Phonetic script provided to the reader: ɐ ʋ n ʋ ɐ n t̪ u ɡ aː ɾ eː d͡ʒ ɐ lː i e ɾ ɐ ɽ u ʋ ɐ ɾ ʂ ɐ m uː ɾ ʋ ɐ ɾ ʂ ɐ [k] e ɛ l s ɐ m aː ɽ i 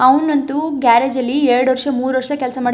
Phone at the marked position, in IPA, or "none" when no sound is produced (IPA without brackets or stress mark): k